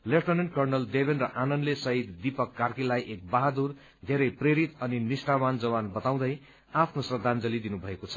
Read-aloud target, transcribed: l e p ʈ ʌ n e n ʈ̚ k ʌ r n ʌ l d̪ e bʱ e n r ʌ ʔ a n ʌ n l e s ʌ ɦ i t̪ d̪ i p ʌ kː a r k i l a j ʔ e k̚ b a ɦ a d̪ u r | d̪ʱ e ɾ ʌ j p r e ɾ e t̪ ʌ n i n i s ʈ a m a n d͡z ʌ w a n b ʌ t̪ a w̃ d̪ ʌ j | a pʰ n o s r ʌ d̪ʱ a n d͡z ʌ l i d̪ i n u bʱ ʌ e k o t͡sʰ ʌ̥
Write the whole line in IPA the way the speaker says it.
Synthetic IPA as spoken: l e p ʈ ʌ n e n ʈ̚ k ʌ r n ʌ l d̪ e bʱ e n r ʌ ʔ a n ʌ n l e s ʌ ɦ i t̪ d̪ i p ʌ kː a r k i l a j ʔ e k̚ b a ɦ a d̪ u r | d̪ʱ e ɾ ʌ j p r e ɾ i t̪ ʌ n i n i s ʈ a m a n d͡z ʌ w a n b ʌ t̪ a w̃ d̪ ʌ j | a pʰ n o s r ʌ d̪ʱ a n d͡z ʌ l i d̪ i n u bʱ ʌ e k o t͡sʰ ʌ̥